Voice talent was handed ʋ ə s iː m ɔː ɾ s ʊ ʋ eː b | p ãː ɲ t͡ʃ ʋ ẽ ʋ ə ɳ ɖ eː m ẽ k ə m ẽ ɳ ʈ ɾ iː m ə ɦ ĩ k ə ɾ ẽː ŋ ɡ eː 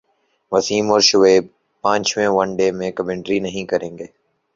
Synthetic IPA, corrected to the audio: ʋ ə s iː m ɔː ɾ ʃ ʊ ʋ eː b | p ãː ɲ t͡ʃ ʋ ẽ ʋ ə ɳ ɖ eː m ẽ k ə m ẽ ɳ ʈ ɾ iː n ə ɦ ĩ k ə ɾ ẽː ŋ ɡ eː